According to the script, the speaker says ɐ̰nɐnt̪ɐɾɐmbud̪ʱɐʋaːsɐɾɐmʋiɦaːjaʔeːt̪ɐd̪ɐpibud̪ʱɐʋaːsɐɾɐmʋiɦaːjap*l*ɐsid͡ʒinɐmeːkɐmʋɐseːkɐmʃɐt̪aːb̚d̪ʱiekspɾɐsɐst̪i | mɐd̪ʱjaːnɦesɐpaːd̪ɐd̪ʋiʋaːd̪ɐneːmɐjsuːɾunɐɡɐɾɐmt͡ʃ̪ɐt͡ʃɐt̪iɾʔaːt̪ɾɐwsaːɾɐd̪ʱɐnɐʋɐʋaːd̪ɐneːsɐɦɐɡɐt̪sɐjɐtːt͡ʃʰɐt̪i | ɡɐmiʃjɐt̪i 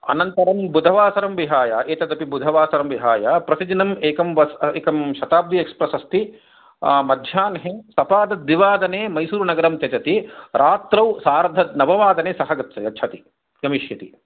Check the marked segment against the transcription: incorrect: ɾ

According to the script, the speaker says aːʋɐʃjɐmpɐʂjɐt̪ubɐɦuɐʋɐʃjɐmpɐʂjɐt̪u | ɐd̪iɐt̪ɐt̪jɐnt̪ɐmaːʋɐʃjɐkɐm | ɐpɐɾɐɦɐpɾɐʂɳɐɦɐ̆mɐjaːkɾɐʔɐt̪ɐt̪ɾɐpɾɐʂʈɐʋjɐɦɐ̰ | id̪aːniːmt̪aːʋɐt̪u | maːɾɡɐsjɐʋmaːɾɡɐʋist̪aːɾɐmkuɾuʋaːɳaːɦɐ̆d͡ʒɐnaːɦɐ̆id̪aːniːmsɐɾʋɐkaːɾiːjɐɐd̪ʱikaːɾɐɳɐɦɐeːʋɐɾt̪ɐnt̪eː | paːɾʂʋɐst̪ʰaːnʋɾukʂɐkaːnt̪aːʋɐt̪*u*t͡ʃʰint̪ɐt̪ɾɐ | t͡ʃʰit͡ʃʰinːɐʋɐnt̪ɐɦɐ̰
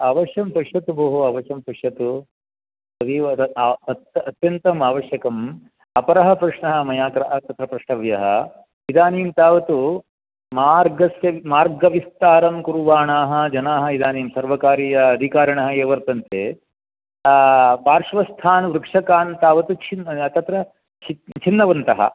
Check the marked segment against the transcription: correct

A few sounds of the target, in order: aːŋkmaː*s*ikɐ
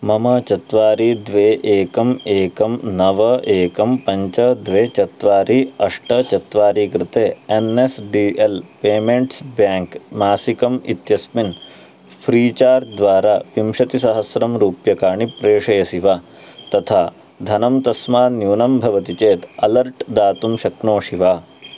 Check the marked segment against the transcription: correct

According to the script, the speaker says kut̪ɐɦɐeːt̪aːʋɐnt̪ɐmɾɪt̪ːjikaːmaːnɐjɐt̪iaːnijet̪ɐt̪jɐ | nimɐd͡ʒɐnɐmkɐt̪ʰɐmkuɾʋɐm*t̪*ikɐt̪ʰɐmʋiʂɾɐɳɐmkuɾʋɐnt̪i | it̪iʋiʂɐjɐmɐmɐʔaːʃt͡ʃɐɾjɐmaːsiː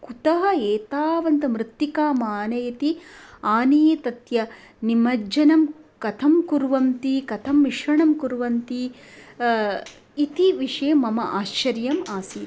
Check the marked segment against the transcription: correct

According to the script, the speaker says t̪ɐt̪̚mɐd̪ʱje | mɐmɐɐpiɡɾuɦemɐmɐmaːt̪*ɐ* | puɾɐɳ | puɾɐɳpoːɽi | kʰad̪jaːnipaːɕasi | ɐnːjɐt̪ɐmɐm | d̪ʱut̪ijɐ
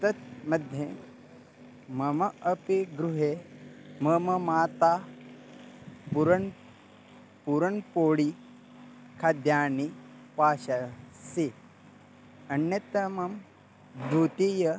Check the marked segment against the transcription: incorrect: a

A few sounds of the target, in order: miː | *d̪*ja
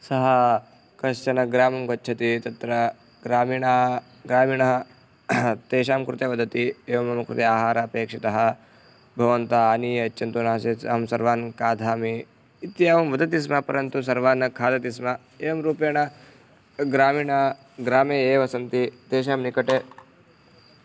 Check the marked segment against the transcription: incorrect: t̪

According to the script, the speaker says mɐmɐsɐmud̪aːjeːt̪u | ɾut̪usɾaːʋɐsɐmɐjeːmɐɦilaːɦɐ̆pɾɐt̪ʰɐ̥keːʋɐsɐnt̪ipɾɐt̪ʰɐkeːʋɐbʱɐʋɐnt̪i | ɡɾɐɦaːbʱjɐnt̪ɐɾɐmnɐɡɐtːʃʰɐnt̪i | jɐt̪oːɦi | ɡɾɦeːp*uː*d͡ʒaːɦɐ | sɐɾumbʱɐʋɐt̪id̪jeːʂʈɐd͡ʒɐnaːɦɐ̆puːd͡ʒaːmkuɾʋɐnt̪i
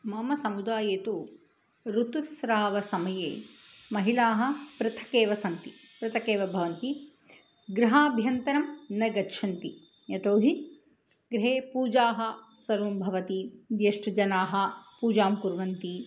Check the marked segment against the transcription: correct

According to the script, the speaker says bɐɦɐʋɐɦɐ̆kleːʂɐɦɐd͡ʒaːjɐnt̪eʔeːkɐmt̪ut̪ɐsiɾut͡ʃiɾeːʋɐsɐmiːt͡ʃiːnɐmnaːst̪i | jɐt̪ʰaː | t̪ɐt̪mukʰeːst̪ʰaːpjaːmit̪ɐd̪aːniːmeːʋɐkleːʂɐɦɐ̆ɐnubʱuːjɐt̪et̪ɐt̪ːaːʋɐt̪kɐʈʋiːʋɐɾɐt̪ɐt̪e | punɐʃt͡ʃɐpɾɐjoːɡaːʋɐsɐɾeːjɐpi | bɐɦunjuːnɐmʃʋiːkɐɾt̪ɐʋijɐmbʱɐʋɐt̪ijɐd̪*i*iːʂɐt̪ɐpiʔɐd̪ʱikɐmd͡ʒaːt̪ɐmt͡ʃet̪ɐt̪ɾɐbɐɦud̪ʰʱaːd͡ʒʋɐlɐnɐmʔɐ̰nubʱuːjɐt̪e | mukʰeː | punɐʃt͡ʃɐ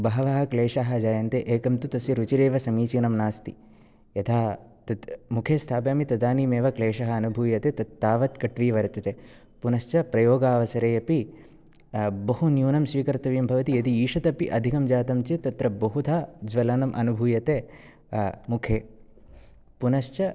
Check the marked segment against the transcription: correct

